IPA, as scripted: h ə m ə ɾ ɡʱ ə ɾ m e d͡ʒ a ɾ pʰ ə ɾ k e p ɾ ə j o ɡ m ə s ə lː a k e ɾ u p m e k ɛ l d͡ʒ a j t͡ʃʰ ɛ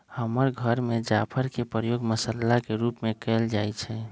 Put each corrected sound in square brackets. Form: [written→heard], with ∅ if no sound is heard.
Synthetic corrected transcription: h ə m ə ɾ ɡʱ ə ɾ m e d͡ʒ a [ɾ→∅] pʰ ə ɾ k e p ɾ ə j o ɡ m ə s ə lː a k e ɾ u p m e k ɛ l d͡ʒ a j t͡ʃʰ ɛ